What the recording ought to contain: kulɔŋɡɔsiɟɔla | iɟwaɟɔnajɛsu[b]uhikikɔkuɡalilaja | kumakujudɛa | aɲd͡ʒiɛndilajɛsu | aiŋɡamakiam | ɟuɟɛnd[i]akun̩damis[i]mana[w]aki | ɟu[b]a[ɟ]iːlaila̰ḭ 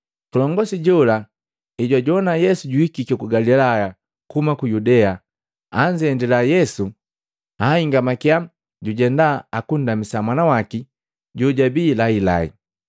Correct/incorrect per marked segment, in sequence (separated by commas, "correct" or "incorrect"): incorrect, incorrect, incorrect, correct, incorrect, incorrect